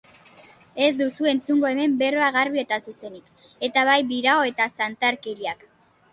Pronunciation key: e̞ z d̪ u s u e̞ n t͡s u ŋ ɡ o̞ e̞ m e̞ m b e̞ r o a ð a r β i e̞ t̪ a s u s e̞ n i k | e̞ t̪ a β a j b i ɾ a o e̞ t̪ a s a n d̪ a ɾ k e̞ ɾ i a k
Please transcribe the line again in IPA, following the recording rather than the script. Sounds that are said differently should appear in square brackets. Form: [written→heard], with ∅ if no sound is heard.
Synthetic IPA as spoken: e̞ z d̪ u s u e̞ n t͡s u ŋ ɡ o̞ e̞ m e̞ m b e̞ r o a [ð→ɣ] a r β i e̞ t̪ a s u s e̞ n i k | e̞ t̪ a β a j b i ɾ a o e̞ t̪ a s a n [d̪→t̪] a ɾ k e̞ ɾ i a k